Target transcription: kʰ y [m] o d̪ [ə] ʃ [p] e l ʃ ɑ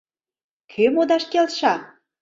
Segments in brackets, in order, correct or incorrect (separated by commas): correct, incorrect, incorrect